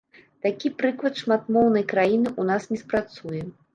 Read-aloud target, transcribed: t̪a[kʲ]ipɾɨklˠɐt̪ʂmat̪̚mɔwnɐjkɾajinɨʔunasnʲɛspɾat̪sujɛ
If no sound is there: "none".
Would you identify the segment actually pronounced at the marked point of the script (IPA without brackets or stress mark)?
kʲ